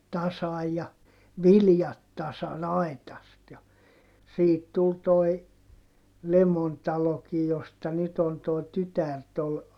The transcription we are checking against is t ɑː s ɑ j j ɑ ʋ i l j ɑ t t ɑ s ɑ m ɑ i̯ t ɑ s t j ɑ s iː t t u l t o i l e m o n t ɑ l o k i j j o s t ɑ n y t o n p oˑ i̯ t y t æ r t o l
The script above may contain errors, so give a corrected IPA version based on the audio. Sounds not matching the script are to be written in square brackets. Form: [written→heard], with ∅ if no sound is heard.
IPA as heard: t [ɑː→ɑ] s ɑ j j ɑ ʋ i l j ɑ t t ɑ s ɑ [m→n] ɑ i̯ t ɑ s t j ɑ s iː t t u l t o i l e m o n t ɑ l o k i j j o s t ɑ n y t o n [p→t] oˑ i̯ t y t æ r t o l